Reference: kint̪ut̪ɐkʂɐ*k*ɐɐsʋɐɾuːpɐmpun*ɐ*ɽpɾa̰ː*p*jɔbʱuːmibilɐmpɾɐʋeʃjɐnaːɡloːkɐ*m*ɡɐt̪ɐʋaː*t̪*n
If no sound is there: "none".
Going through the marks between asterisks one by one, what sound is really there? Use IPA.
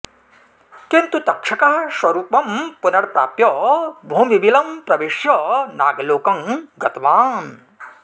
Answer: k, ɐ, p, ŋ, none

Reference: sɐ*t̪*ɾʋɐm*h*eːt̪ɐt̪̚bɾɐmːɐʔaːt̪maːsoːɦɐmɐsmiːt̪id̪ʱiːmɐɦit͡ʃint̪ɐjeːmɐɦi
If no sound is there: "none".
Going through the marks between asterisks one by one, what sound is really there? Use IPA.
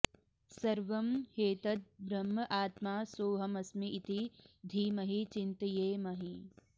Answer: none, h

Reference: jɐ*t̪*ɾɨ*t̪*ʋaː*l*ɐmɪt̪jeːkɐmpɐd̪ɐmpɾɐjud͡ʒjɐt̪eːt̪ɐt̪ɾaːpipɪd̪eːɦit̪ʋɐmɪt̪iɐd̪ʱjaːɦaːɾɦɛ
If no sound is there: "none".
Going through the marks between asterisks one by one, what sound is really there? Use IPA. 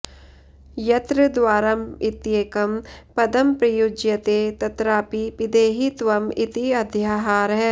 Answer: t̪, d̪, ɾ

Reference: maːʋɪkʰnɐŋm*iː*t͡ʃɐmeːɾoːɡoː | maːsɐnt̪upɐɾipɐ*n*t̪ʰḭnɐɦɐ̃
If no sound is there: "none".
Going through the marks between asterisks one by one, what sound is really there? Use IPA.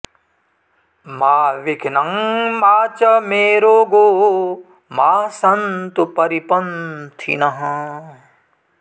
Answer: aː, n

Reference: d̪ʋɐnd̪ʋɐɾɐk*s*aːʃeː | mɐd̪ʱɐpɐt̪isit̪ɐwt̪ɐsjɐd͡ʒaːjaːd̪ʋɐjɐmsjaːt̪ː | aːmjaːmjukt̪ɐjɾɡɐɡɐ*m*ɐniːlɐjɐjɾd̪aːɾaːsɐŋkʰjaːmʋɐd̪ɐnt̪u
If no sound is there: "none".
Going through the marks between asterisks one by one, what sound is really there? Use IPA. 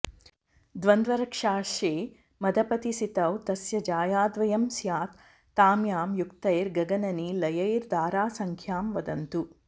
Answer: ʂ, n

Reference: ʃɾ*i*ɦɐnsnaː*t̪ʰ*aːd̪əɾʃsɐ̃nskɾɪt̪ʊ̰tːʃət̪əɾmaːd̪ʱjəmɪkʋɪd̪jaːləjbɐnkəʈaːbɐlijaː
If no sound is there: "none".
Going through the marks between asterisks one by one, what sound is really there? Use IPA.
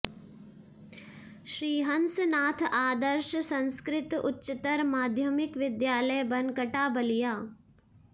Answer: iː, t̪ʰ

